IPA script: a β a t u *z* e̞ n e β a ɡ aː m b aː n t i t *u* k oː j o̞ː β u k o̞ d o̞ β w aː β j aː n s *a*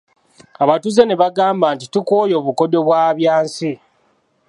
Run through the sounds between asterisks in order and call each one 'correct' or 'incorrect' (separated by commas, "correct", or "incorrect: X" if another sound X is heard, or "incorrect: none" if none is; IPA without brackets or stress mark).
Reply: correct, correct, incorrect: i